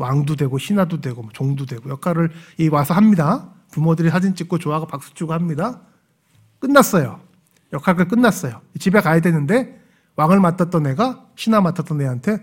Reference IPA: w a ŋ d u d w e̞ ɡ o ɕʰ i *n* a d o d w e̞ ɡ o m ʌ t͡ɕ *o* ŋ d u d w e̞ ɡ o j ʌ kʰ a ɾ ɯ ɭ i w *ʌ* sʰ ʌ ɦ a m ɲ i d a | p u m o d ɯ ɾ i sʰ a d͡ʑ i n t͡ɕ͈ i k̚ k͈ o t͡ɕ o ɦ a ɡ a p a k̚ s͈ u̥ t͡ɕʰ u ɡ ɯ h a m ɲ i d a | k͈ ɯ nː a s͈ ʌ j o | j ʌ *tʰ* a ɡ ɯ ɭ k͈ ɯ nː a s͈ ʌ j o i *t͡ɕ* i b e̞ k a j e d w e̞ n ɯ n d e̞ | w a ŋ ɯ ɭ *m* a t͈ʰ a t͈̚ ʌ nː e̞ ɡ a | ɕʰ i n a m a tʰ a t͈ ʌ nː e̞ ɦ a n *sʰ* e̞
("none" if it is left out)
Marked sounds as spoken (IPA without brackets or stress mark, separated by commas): n, o, a, kʰ, t͡ɕ, m, tʰ